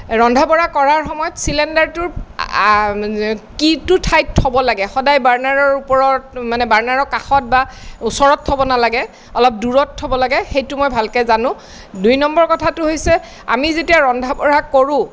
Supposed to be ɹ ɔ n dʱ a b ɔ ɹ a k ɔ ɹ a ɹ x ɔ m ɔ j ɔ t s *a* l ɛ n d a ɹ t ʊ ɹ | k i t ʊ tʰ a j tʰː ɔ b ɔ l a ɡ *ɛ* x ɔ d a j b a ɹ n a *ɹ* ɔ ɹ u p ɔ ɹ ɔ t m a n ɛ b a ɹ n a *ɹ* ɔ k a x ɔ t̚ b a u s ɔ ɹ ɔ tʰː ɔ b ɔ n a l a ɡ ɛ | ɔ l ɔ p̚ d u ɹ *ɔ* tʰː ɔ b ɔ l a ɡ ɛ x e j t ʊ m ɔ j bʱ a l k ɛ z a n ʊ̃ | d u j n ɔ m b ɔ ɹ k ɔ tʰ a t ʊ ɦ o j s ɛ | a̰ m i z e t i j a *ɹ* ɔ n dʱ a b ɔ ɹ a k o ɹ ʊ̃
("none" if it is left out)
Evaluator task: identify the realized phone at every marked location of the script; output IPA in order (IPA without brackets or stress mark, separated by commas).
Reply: i, ɛ, ɹ, ɹ, ɔ, ɹ